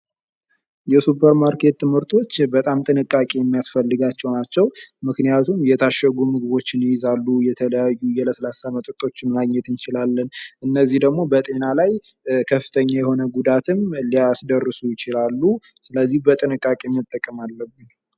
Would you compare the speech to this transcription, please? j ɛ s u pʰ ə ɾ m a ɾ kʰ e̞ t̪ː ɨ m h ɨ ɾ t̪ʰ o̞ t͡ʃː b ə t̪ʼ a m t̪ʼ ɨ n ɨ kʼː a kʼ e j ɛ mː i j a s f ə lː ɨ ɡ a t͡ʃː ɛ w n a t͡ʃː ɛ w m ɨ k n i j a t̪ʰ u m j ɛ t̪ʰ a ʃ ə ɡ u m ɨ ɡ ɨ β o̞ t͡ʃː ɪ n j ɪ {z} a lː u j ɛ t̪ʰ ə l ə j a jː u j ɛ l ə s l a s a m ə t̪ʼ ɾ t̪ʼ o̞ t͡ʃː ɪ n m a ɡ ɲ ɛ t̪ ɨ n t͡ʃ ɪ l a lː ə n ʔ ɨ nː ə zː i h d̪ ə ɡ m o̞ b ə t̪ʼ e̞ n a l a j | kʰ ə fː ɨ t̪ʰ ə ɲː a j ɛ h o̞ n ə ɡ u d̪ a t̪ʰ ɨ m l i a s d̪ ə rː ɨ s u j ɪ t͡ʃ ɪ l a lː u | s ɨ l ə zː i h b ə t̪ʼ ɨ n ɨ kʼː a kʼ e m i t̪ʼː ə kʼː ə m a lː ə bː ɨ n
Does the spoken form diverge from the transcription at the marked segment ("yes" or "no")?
no